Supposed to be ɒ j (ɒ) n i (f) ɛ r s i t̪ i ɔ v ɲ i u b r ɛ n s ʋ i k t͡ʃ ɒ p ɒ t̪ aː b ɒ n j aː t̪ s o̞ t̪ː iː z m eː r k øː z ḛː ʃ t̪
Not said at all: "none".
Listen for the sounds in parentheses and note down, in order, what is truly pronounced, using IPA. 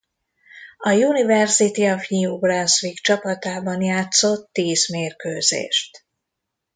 u, v

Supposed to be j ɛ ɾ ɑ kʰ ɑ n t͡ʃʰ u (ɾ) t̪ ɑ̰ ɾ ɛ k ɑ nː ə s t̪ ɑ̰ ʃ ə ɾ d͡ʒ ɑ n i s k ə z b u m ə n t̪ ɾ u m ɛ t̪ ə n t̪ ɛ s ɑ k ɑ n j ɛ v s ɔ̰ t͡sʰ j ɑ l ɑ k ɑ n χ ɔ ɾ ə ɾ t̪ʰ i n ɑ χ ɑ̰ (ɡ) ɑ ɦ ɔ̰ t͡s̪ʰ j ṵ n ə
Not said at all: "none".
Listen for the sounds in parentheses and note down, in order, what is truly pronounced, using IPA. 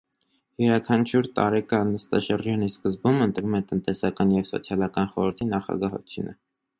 ɾ, ɡ

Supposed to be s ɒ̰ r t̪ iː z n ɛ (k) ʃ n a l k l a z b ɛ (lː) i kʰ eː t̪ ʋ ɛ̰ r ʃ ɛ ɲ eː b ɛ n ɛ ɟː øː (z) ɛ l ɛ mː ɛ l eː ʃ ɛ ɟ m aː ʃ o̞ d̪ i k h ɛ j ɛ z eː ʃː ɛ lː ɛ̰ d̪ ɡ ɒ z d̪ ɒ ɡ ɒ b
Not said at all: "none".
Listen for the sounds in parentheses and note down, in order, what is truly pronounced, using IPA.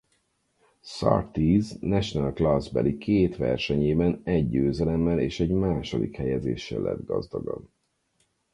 none, l, z

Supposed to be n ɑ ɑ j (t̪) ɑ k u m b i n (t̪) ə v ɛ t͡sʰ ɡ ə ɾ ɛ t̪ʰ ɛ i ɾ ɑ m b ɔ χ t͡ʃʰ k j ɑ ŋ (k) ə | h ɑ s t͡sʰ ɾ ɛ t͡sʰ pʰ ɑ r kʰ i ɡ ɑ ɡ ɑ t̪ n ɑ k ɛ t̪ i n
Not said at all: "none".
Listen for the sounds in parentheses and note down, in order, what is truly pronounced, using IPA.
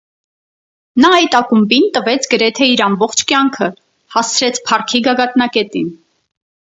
t̪, t̪, kʰ

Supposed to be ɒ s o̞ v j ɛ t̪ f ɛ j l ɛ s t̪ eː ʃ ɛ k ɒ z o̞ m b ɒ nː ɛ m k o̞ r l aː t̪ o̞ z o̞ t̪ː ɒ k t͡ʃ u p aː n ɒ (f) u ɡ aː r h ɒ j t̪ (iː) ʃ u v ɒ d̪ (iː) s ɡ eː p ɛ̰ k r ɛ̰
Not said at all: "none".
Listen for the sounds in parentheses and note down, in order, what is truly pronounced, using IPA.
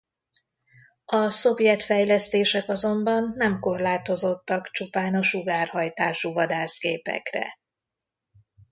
ʃ, aː, aː

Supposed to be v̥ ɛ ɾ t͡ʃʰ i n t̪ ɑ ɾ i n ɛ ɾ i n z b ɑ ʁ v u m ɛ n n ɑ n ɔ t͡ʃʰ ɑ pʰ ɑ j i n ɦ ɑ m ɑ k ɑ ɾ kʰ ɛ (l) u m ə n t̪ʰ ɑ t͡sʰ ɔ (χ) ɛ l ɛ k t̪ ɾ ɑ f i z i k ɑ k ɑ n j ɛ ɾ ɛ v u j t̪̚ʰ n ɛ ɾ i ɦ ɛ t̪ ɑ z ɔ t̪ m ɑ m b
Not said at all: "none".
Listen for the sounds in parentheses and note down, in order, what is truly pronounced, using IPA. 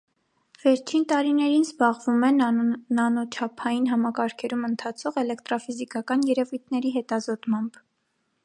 ɾ, ʁ

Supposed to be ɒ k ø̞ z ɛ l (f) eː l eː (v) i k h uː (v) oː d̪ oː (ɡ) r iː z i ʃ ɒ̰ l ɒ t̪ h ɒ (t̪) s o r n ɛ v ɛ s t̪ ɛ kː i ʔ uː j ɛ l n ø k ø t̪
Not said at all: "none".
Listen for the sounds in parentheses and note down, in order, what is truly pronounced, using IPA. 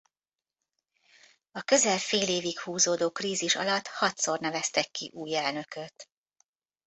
f, v, z, k, t̪

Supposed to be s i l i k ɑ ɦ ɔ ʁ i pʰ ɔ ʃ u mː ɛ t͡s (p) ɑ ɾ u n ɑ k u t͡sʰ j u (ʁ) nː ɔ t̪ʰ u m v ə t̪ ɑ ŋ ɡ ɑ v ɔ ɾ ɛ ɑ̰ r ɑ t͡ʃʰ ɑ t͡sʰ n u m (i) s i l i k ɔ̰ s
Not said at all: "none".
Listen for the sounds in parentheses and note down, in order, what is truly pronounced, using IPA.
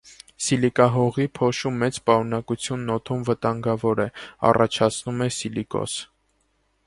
p, none, ɛ

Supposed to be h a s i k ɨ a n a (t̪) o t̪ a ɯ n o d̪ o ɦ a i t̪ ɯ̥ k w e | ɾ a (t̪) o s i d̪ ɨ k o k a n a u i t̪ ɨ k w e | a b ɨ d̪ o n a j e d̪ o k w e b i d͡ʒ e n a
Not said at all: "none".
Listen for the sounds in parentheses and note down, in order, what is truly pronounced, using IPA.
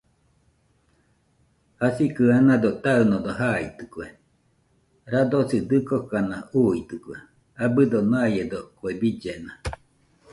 d̪, d̪

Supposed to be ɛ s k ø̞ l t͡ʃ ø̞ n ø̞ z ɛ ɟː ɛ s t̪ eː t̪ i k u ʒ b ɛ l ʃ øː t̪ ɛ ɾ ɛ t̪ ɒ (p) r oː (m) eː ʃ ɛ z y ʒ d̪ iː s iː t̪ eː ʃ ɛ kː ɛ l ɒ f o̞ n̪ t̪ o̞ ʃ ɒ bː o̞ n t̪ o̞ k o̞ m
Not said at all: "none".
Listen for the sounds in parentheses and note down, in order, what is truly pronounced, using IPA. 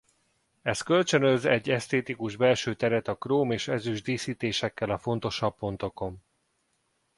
k, m

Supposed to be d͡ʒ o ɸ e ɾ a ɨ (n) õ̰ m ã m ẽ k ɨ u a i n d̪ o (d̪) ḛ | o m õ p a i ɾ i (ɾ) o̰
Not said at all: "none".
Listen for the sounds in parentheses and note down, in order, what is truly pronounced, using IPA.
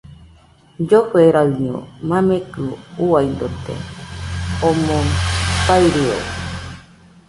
ɲ, t̪, none

